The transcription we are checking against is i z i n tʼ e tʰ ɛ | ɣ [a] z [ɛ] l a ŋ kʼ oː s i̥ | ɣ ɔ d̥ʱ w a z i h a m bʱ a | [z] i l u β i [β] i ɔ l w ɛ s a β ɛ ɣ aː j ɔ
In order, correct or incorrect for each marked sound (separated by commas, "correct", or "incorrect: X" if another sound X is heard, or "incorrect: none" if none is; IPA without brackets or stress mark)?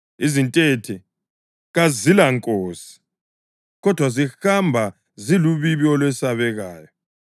correct, incorrect: i, correct, correct